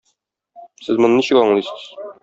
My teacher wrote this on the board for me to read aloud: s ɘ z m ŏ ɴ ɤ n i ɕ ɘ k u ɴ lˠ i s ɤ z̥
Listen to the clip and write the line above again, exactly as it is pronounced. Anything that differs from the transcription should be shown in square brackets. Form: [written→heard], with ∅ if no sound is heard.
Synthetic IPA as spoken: s ɘ z m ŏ [ɴ→n] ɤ n i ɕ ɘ k [u→ɒ] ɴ lˠ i s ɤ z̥